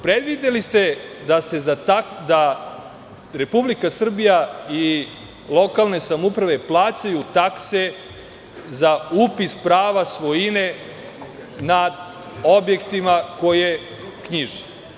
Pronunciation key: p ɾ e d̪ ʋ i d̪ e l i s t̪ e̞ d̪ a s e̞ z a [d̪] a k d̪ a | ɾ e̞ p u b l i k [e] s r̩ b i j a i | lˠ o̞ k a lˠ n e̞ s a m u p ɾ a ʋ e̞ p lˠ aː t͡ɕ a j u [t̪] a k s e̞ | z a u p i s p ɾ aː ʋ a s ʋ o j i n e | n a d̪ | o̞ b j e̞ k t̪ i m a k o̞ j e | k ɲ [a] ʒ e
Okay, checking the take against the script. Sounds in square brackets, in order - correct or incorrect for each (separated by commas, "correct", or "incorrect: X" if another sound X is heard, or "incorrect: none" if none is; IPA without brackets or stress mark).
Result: incorrect: t̪, incorrect: a, correct, incorrect: i